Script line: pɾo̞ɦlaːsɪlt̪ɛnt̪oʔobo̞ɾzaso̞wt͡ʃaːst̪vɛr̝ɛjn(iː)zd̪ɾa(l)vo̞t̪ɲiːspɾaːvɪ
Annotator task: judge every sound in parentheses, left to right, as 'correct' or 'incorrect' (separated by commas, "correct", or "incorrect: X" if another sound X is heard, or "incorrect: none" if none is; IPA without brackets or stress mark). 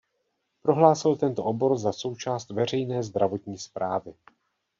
incorrect: ɛː, incorrect: none